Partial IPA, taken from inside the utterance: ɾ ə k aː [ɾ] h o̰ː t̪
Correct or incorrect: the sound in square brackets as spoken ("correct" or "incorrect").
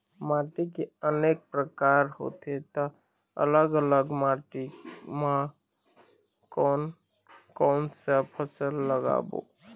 correct